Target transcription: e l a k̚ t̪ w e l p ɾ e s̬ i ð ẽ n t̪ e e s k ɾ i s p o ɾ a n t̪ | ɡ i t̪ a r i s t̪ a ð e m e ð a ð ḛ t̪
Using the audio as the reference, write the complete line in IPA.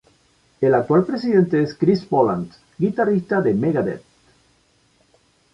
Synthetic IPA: e l a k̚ t̪ w a l p ɾ e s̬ i ð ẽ n t̪ e e s k ɾ i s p o l a n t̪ | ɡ i t̪ a r i s t̪ a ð e m e ɣ a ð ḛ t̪